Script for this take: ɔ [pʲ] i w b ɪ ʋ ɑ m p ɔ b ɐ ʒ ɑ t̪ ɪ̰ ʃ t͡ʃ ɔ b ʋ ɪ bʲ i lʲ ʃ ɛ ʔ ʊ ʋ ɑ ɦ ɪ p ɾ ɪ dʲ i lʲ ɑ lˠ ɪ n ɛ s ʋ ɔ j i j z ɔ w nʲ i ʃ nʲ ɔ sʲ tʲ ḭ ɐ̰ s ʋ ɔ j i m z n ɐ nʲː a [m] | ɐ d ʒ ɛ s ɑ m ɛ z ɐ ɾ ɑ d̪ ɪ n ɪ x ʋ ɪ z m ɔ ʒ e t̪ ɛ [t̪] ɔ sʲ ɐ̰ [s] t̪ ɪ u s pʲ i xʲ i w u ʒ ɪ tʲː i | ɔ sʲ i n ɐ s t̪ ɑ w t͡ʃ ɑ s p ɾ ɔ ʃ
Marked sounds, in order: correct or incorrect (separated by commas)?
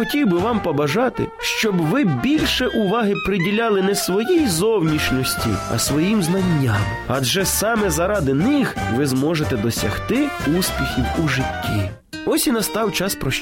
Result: incorrect, correct, incorrect, incorrect